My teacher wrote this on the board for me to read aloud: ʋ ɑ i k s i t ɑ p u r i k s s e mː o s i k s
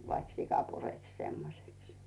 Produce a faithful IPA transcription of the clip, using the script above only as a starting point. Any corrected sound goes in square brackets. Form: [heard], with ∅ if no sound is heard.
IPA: ʋ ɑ i k s i [k] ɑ p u r [e] k s s e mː o s [e] k s